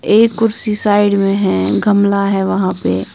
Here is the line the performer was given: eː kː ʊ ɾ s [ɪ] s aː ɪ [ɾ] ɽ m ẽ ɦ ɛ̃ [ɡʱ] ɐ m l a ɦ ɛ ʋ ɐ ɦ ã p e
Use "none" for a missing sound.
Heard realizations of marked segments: i, none, ɡʱ

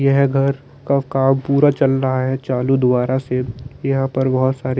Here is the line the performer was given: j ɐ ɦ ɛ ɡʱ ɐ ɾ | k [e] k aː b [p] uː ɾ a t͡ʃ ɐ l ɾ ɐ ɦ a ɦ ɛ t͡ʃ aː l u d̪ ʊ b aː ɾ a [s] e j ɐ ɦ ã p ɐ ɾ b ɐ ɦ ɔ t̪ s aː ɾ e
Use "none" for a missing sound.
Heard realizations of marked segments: a, p, s

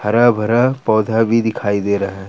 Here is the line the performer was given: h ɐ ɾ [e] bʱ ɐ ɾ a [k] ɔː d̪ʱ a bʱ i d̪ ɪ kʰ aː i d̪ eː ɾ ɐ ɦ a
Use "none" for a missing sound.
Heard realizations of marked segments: a, p

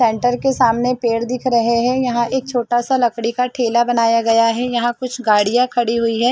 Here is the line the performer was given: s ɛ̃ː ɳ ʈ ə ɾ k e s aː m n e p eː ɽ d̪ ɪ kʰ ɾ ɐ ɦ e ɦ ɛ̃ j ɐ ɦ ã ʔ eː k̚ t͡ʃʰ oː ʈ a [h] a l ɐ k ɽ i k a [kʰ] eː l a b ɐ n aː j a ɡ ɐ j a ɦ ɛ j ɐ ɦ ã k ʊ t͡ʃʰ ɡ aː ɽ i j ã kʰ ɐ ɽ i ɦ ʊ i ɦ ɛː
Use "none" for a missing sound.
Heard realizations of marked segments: s, ʈʰ

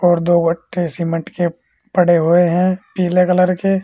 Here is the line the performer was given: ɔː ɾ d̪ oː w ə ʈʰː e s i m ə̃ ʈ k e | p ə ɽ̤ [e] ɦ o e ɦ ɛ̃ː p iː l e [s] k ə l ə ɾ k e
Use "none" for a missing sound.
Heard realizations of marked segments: e, none

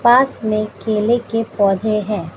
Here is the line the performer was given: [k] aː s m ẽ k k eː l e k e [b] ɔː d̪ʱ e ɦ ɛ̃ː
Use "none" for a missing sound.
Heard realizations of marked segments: p, p

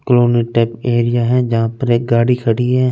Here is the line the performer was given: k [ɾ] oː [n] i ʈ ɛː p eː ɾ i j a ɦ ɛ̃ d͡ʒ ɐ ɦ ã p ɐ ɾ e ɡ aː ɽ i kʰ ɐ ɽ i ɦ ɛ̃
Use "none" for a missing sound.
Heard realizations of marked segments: l, n

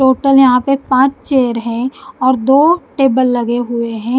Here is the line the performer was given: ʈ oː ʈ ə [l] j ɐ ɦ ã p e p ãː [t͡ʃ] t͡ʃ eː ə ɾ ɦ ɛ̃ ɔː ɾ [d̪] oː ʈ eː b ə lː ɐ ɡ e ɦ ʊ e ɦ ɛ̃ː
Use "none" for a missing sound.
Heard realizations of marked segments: l, t͡ʃ, d̪

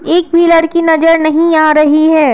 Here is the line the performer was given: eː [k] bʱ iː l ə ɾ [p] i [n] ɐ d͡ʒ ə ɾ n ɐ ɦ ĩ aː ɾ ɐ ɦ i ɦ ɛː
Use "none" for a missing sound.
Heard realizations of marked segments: k, k, n

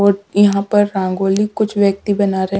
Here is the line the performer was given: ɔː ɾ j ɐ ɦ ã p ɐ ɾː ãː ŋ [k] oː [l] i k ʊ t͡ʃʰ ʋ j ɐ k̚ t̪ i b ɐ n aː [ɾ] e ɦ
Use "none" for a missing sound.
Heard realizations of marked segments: ɡ, l, ɾ

